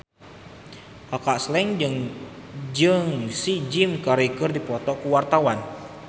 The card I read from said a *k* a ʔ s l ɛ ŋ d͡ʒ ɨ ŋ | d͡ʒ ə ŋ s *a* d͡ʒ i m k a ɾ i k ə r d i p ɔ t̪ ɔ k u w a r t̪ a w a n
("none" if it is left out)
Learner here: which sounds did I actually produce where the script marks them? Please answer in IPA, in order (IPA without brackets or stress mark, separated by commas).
k, i